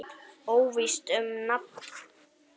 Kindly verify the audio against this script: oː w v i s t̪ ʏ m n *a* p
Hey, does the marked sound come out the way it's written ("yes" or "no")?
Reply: yes